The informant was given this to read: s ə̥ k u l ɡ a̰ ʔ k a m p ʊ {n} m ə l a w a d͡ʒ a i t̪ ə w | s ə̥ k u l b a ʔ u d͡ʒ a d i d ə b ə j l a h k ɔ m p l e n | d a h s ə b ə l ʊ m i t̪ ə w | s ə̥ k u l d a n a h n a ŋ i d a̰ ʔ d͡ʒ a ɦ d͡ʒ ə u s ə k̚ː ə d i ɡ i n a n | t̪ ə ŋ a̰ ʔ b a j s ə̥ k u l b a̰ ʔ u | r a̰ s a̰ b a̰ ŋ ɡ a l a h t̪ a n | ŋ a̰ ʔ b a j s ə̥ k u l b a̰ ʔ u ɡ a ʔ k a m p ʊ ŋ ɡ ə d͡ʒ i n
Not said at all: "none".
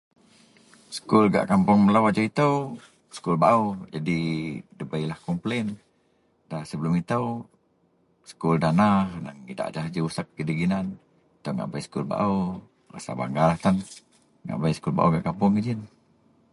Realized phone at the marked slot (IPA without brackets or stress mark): ŋ